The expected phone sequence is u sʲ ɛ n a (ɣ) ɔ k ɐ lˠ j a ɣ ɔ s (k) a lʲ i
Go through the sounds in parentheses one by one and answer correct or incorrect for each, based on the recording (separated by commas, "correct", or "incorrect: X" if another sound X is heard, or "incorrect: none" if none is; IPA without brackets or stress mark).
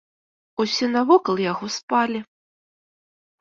incorrect: v, incorrect: p